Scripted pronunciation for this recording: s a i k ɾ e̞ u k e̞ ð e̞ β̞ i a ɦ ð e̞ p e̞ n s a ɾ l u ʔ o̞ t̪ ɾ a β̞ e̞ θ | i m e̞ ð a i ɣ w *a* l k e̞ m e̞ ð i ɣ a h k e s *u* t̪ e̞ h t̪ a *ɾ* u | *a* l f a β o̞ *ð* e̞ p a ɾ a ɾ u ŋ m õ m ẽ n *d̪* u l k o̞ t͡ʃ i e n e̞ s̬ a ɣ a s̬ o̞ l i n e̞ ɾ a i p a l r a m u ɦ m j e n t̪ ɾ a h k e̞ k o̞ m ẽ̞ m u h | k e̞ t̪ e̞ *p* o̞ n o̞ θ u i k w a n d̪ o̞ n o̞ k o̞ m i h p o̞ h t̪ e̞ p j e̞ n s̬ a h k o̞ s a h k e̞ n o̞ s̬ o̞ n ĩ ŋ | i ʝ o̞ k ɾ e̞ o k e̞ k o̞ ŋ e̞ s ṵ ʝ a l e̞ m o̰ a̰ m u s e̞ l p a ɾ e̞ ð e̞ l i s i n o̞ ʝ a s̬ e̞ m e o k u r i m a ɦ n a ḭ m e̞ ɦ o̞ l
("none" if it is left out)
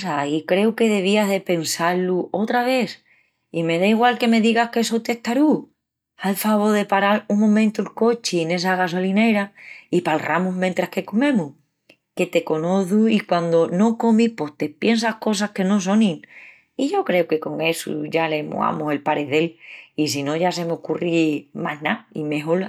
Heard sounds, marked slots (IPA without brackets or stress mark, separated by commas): a, o, ɾ, a, ð, t̪, k